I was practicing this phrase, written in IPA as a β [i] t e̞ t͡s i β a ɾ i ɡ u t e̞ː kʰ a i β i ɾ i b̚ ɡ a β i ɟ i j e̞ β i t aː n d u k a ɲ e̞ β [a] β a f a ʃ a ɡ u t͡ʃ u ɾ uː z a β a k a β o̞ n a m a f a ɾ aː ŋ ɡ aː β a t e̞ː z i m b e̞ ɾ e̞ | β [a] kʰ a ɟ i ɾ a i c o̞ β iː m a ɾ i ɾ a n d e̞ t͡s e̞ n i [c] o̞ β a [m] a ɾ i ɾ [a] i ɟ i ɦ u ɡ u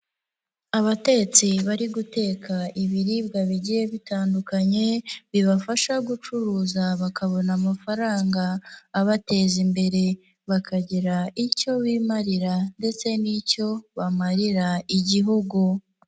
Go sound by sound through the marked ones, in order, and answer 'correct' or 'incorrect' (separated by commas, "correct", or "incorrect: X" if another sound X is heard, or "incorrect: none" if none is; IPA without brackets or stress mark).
incorrect: a, incorrect: i, correct, correct, correct, correct